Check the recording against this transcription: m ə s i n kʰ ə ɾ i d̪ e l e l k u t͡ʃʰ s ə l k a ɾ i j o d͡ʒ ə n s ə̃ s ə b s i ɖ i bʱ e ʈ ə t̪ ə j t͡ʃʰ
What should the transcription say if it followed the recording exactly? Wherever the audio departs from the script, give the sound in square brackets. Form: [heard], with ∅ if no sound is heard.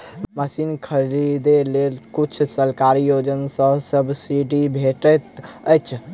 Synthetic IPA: m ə s i n kʰ ə ɾ i d̪ e l e l k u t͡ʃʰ s ə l k a ɾ i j o d͡ʒ ə n s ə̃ s ə b s i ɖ i bʱ e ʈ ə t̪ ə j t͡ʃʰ